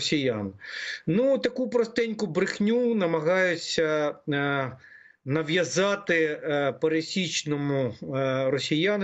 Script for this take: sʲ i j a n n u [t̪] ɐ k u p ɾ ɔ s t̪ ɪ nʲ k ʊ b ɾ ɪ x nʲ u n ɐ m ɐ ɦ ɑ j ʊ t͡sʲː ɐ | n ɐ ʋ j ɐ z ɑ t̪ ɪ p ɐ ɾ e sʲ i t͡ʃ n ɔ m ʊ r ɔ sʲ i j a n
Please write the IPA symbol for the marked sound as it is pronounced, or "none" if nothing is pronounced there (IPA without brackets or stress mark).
t̪